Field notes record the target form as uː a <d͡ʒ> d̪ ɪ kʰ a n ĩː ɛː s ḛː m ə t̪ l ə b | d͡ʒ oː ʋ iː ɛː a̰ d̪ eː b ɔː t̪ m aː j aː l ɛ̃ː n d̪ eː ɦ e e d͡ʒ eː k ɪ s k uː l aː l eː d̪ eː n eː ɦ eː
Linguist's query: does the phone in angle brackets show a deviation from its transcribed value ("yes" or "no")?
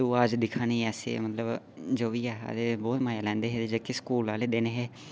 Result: no